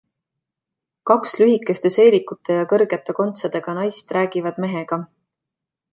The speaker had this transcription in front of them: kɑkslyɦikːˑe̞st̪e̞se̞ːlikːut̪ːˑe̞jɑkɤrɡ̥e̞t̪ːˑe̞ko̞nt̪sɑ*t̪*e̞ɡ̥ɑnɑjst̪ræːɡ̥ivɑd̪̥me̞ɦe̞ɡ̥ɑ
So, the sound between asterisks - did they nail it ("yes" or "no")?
no